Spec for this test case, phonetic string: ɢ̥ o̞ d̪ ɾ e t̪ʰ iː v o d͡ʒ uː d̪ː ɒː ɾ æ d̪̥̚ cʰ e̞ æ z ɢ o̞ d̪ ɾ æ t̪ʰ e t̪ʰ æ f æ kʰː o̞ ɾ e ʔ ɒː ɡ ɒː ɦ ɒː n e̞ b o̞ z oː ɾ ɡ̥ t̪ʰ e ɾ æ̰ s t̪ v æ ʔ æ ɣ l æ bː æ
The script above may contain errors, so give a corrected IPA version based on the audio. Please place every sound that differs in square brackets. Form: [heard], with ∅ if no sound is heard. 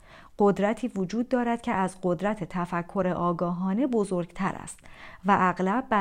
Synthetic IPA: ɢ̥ o̞ d̪ ɾ [æ] t̪ʰ iː v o d͡ʒ uː d̪ː ɒː ɾ æ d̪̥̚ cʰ e̞ æ z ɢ o̞ d̪ ɾ æ t̪ʰ e t̪ʰ æ f æ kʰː o̞ ɾ e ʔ ɒː ɡ ɒː ɦ ɒː n e̞ b o̞ z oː ɾ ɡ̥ t̪ʰ [æ] ɾ æ̰ s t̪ v æ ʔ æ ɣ l æ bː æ